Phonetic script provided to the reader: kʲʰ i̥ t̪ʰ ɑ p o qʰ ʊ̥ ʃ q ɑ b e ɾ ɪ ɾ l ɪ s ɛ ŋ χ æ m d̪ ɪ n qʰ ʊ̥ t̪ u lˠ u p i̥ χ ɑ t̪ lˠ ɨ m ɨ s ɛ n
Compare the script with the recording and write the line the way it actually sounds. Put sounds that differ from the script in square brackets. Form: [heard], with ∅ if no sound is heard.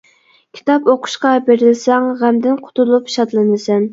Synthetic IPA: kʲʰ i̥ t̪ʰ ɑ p o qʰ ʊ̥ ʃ q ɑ b e ɾ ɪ [∅] l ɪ s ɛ ŋ [ʁ] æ m d̪ ɪ n qʰ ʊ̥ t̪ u lˠ u p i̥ [ʃ] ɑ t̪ lˠ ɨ [n] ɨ s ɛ n